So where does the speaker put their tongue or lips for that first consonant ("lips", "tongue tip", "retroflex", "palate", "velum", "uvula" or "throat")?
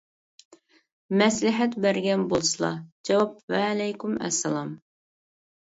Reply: lips